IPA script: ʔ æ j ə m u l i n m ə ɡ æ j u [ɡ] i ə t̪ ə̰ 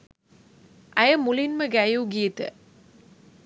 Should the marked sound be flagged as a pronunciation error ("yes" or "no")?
no